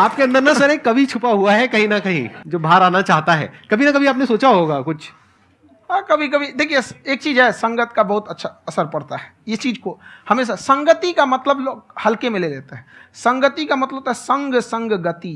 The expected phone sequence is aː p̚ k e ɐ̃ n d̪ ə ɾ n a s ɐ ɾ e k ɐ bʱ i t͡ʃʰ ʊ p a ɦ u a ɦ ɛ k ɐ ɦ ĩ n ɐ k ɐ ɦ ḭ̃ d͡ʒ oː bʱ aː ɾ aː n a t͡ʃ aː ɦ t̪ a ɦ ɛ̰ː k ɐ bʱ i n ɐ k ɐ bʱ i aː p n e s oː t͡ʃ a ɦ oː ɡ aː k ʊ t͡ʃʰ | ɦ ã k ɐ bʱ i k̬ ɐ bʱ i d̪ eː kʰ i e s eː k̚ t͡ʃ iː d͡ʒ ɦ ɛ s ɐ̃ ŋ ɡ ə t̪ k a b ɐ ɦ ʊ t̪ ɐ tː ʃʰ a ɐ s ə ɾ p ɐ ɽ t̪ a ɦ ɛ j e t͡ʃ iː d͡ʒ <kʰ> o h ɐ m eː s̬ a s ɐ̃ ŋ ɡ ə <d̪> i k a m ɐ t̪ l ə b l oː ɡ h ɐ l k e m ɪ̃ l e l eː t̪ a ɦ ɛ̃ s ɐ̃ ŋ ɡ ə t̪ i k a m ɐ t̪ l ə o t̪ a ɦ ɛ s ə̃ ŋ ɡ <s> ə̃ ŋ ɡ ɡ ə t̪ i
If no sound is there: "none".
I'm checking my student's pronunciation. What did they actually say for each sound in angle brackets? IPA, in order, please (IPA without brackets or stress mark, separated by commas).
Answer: k, t̪, s